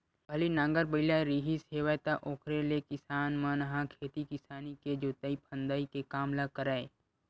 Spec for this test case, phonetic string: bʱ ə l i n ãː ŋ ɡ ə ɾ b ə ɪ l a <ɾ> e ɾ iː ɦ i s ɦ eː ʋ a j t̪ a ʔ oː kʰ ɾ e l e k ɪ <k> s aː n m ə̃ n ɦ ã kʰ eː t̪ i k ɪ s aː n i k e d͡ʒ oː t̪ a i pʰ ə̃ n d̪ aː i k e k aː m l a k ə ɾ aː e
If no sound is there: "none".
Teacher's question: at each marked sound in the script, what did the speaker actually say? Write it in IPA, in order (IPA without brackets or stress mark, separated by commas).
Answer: none, none